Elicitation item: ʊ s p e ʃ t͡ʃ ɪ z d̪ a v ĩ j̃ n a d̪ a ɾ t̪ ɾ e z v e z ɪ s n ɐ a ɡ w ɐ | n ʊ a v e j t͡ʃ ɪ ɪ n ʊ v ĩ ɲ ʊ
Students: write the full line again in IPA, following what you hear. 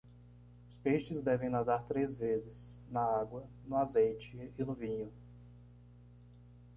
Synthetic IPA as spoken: ʊ s p e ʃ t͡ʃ ɪ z d̪ ɛ v ẽ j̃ n a d̪ a ɾ t̪ ɾ e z v e z ɪ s n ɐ a ɡ w ɐ | n ʊ a z e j t͡ʃ ɪ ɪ n ʊ v ĩ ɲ ʊ